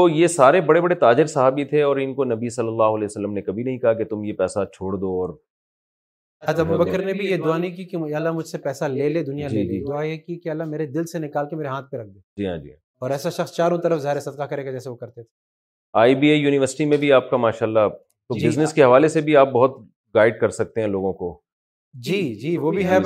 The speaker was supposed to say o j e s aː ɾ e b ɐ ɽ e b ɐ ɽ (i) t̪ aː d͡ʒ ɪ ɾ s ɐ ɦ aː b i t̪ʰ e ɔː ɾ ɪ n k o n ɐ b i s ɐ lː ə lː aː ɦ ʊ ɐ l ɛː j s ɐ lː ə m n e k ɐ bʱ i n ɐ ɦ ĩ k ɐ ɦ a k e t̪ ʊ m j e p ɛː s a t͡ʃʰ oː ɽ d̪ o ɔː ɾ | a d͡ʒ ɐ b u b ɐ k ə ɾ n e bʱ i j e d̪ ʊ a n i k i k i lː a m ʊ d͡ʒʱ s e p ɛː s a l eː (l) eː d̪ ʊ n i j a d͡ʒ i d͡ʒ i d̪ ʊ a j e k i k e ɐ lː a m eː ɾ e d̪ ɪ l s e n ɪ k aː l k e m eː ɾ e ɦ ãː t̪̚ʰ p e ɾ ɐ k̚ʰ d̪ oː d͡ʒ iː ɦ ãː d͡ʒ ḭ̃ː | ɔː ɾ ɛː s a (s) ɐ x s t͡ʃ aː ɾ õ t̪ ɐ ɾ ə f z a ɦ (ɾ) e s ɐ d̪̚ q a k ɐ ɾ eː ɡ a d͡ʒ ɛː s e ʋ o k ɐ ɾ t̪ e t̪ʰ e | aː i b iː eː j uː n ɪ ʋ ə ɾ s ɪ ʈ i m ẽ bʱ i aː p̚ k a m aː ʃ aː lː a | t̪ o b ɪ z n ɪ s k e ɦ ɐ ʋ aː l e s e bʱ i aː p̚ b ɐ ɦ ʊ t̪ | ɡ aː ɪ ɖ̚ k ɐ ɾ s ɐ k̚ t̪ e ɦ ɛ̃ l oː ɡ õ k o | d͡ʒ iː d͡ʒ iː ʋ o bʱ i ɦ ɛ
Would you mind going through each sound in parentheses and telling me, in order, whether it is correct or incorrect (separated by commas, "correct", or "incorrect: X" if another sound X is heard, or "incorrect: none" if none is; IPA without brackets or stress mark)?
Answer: incorrect: e, correct, incorrect: ʃ, correct